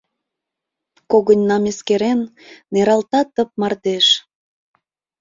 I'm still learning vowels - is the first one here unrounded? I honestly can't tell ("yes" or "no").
no